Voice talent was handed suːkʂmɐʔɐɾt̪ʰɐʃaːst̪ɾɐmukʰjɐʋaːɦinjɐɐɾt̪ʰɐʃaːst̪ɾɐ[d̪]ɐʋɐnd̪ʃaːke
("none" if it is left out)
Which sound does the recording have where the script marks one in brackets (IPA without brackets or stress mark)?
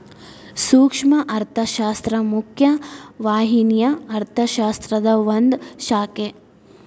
d̪